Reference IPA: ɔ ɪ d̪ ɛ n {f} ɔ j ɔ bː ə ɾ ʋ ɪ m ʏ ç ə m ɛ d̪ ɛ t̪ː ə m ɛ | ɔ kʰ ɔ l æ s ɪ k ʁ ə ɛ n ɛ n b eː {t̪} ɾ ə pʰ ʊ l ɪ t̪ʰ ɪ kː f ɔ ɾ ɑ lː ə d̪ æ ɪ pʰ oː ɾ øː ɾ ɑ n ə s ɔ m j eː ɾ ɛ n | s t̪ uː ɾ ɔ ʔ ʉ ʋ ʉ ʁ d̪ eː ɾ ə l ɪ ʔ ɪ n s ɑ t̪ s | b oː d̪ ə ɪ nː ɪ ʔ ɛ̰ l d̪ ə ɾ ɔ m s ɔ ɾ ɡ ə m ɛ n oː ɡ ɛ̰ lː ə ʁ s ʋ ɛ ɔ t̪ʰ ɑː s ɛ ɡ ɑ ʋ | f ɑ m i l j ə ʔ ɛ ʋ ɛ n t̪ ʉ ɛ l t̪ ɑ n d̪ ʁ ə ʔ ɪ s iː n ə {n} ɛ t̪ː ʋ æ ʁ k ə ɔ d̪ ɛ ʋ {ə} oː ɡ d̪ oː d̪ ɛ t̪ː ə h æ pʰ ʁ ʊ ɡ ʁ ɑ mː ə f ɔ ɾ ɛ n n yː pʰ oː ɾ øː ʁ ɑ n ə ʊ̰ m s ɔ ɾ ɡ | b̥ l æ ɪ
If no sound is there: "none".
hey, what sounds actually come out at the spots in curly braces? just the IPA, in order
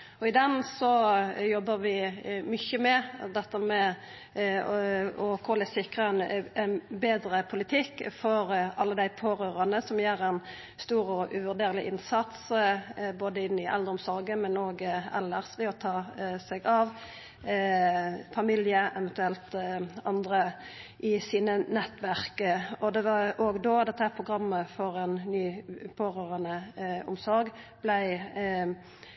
s, d̪, n, ɑ

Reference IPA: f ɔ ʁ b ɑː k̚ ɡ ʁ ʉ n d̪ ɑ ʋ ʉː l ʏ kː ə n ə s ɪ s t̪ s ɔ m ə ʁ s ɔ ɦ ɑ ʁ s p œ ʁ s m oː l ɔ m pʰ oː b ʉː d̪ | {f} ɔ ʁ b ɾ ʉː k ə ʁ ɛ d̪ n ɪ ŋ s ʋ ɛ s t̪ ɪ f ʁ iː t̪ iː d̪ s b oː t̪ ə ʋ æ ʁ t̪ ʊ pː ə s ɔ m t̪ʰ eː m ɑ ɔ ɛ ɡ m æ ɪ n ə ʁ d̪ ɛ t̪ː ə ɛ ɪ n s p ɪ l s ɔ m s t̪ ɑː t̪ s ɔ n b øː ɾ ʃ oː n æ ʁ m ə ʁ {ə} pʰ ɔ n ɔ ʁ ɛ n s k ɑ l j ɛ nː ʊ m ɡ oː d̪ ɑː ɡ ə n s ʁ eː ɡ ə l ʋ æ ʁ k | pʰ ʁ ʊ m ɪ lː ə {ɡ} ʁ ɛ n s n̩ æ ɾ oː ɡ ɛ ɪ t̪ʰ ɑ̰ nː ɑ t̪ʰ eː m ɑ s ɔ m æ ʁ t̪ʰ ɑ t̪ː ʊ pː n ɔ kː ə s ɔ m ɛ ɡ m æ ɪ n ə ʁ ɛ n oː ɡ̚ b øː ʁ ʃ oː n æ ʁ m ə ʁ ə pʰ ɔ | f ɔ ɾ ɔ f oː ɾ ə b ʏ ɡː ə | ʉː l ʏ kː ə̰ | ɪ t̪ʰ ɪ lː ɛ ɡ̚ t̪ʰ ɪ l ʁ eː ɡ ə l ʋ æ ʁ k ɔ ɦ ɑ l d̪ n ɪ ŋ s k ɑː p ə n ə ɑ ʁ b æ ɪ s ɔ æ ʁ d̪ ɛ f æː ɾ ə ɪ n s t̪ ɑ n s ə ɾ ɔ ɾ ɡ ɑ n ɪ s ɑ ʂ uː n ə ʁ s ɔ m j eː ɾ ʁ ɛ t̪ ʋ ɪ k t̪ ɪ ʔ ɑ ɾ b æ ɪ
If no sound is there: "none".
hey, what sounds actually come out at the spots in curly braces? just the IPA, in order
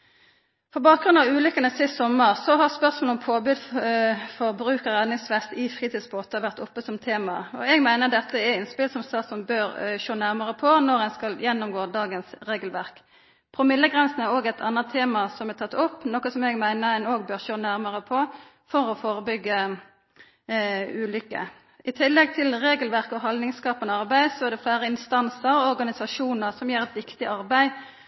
f, ə, ɡ

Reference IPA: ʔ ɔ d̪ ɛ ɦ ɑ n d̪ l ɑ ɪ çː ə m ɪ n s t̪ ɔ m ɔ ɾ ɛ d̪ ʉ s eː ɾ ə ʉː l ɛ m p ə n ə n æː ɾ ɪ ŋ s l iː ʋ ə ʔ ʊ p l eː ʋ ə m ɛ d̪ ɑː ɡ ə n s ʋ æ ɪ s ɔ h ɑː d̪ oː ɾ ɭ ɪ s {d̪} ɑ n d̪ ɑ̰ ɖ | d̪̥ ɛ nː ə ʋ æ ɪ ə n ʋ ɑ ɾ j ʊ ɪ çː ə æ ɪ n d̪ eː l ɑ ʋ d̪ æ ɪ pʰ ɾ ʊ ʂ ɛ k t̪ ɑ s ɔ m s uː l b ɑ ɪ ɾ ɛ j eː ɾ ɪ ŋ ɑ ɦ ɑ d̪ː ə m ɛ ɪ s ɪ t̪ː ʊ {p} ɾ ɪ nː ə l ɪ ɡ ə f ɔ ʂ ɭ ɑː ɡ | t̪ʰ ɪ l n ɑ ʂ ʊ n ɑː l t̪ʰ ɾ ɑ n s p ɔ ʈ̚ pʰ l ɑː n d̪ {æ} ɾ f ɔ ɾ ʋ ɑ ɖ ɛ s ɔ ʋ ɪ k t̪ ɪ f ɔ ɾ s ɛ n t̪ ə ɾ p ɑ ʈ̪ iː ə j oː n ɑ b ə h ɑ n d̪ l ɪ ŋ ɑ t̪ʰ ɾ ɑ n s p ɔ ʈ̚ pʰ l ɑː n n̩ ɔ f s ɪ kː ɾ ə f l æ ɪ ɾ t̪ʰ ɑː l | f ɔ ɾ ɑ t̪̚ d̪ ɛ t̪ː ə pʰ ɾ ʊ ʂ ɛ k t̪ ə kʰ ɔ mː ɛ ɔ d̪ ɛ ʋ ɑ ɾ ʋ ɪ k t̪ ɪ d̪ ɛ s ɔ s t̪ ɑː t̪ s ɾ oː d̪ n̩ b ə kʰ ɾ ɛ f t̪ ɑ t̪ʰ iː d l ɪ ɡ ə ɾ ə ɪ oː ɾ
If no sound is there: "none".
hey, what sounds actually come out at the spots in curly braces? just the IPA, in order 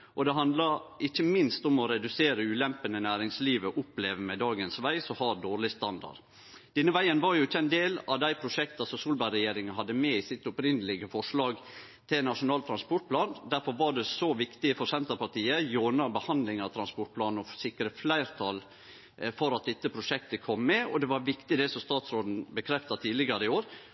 t̪, p, æ

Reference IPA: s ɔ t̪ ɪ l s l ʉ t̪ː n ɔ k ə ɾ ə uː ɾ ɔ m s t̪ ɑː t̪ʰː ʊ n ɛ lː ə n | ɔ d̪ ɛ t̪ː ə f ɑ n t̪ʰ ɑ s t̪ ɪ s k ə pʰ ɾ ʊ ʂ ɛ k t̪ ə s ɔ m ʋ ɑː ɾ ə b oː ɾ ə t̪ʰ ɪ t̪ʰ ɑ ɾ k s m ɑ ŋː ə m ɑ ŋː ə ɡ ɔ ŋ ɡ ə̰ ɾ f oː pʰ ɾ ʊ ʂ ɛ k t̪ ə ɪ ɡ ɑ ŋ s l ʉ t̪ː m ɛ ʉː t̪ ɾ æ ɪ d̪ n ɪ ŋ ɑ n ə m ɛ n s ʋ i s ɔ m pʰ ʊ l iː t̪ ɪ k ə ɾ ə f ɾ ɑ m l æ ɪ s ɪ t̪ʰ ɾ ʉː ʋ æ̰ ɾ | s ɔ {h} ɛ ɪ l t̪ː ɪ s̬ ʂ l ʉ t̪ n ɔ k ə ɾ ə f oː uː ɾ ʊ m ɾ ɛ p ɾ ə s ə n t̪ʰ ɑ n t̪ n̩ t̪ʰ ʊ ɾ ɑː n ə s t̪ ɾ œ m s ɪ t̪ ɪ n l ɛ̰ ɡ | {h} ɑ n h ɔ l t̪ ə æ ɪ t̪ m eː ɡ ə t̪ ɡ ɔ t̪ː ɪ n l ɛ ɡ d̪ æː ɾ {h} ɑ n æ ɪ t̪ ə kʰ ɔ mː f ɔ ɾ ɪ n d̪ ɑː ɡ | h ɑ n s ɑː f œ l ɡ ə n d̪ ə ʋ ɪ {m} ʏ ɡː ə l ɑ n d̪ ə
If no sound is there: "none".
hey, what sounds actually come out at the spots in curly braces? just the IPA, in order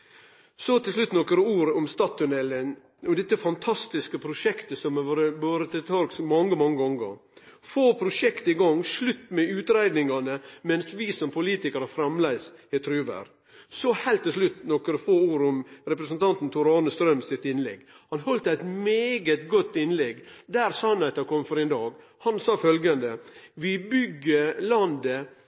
h, h, s, b

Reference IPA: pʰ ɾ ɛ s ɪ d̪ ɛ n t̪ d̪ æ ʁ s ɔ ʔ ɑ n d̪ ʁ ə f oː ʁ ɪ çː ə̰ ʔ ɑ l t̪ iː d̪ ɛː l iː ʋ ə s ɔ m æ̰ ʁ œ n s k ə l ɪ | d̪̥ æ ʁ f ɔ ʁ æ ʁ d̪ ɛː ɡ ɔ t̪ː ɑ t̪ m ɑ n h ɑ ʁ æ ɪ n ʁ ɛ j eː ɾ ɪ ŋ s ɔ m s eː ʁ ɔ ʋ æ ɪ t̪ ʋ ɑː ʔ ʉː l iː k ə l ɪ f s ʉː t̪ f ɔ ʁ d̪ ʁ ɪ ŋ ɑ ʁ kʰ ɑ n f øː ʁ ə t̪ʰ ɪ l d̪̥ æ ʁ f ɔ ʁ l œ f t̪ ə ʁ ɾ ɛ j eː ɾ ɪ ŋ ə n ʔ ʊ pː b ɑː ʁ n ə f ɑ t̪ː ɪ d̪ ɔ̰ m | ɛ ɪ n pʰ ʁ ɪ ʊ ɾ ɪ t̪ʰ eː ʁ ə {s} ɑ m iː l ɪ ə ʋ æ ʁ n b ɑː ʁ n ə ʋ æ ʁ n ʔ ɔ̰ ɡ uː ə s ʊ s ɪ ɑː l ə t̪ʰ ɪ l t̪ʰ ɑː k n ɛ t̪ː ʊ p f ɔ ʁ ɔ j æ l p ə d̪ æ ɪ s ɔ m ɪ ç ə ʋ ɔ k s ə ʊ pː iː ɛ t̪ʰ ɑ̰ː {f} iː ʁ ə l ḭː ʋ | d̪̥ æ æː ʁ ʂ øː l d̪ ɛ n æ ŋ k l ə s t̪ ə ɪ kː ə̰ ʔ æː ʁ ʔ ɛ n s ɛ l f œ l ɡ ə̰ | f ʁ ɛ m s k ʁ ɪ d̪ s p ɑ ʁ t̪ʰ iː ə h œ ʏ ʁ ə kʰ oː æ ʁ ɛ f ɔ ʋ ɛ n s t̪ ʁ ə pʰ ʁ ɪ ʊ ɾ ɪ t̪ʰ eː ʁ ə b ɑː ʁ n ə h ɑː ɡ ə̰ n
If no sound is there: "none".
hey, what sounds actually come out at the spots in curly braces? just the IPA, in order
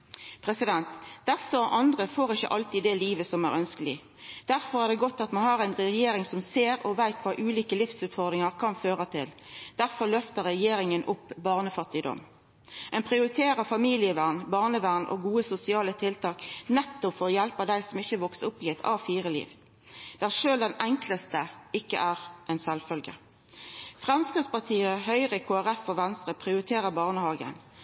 f, f

